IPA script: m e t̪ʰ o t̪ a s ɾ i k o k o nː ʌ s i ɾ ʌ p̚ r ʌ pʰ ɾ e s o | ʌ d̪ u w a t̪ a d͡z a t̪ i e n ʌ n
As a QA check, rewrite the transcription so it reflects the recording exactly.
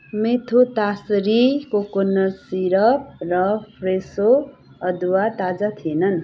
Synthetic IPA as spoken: m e t̪ʰ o t̪ a s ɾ i k o k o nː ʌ s i ɾ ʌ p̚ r ʌ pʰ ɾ e s o | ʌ d̪ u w a t̪ a d͡z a t̪ʰ i e n ʌ n